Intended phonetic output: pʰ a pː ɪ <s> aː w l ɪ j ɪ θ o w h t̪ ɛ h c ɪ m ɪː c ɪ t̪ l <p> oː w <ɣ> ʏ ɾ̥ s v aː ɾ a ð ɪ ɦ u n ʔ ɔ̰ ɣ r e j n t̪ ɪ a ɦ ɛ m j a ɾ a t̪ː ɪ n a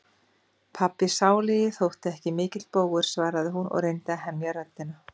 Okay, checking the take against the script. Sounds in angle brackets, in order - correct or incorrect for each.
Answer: correct, correct, correct

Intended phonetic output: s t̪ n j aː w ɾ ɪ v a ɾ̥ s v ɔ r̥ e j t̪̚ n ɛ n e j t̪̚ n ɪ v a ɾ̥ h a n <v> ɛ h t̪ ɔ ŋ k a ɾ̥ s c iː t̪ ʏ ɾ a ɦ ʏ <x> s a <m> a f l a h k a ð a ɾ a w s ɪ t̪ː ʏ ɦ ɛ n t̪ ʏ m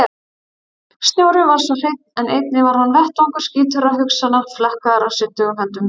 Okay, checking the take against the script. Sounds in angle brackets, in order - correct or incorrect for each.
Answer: correct, incorrect: k, incorrect: n

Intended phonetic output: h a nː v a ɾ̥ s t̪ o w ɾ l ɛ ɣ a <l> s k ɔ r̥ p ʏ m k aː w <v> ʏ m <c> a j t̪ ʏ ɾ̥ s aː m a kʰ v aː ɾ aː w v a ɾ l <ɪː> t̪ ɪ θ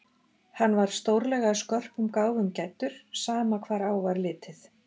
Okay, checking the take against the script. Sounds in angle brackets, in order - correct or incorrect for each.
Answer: incorrect: none, correct, correct, correct

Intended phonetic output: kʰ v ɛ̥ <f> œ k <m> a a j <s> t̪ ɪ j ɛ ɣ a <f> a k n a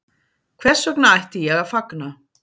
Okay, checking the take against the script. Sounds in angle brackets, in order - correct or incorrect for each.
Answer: incorrect: s, incorrect: n, incorrect: h, correct

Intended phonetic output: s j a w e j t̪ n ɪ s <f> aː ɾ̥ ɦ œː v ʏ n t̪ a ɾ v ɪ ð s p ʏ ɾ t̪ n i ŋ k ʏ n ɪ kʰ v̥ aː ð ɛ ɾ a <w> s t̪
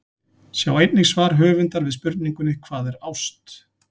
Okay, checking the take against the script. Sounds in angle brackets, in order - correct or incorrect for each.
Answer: incorrect: v, correct

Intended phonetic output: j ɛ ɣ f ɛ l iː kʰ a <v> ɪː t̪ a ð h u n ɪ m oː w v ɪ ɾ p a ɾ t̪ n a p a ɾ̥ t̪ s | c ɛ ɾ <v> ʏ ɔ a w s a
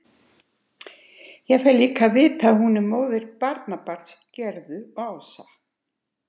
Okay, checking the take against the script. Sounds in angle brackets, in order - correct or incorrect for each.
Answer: correct, incorrect: ð

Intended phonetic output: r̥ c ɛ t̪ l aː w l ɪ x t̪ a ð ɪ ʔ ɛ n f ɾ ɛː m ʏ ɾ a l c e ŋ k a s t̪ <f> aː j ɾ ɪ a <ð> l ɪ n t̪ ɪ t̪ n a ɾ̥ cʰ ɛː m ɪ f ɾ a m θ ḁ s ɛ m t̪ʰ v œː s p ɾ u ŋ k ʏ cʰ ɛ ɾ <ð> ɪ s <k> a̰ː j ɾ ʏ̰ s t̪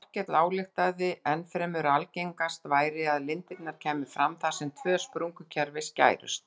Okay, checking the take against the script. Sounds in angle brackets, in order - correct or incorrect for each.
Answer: incorrect: v, correct, incorrect: v, incorrect: c

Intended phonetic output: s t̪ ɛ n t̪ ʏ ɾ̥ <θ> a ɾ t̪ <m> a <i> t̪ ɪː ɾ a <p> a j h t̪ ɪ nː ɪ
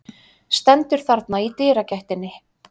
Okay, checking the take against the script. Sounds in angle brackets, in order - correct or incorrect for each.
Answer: correct, incorrect: n, correct, incorrect: c

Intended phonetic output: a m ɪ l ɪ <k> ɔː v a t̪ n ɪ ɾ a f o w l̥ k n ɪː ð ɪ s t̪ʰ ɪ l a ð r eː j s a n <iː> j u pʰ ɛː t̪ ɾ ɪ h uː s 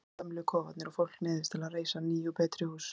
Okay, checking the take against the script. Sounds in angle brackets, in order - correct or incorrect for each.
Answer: incorrect: kʰ, correct

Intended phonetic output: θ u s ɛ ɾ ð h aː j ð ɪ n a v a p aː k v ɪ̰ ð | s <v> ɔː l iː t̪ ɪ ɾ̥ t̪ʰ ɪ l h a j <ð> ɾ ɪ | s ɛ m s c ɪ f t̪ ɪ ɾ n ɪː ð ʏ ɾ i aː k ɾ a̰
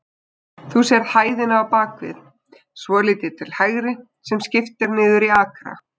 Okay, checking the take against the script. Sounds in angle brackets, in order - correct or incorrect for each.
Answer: correct, incorrect: ɣ

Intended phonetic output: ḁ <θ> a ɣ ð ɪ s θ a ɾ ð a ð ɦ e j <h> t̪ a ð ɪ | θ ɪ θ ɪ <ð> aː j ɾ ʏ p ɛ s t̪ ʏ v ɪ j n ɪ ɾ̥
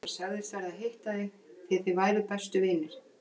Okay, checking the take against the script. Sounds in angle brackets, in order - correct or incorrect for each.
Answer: incorrect: s, correct, incorrect: v

